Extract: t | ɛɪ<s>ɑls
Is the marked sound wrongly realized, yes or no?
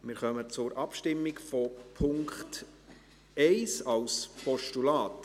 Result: no